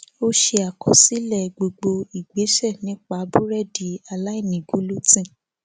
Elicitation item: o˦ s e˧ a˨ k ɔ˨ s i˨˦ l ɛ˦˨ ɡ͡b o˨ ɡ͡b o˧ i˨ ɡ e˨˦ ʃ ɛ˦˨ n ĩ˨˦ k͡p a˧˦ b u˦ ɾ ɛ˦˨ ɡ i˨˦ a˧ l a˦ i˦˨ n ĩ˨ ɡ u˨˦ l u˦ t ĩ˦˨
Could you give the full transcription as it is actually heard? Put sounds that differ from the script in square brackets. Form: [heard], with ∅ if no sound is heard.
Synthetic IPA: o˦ [ʃ] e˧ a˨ k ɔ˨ s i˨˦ l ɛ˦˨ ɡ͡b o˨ ɡ͡b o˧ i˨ [ɡ͡b] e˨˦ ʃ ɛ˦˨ n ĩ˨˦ k͡p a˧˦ b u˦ ɾ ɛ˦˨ [d] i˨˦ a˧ l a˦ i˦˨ n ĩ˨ ɡ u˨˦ l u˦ t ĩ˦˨